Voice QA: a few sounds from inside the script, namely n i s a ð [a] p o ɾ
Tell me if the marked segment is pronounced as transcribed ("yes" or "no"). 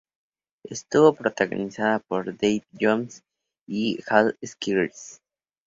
yes